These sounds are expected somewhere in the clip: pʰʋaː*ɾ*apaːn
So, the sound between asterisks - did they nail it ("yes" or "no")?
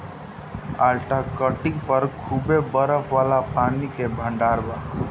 no